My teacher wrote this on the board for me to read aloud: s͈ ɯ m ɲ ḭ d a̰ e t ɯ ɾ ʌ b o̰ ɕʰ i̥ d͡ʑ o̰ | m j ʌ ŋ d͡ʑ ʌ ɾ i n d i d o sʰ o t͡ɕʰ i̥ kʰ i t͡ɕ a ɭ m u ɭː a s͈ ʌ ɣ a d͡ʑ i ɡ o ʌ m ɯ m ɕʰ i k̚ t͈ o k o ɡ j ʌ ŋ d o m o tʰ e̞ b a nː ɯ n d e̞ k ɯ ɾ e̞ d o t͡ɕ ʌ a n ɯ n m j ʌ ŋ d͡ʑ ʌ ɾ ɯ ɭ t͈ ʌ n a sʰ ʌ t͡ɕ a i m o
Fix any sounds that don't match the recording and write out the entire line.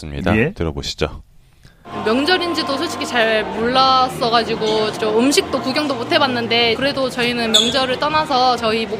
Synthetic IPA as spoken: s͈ ɯ m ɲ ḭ d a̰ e t ɯ ɾ ʌ b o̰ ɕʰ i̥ d͡ʑ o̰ | m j ʌ ŋ d͡ʑ ʌ ɾ i n d͡ʑ i d o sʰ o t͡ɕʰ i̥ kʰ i t͡ɕ a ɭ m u ɭː a s͈ ʌ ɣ a d͡ʑ i ɡ o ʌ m ɯ m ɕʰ i k̚ t͈ o k u ɡ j ʌ ŋ d o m o tʰ e̞ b a nː ɯ n d e̞ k ɯ ɾ e̞ d o t͡ɕ ʌ i n ɯ n m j ʌ ŋ d͡ʑ ʌ ɾ ɯ ɭ t͈ ʌ n a sʰ ʌ t͡ɕ ʌ i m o